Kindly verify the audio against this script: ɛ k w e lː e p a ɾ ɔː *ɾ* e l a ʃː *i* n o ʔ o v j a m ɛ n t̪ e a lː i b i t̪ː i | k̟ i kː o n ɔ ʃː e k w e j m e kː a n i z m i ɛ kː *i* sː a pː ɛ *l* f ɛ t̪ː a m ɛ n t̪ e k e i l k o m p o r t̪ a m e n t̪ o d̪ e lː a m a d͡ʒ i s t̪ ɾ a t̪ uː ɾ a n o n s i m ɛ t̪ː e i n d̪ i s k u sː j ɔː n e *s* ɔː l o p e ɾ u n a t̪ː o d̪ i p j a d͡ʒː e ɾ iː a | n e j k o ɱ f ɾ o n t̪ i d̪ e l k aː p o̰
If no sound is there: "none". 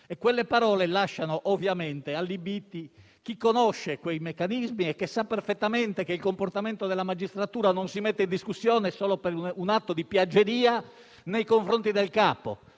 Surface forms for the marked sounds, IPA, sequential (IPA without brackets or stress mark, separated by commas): l, a, e, r, s